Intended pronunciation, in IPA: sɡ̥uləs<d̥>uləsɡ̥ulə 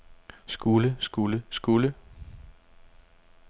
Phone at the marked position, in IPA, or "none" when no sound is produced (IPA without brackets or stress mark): ɡ̥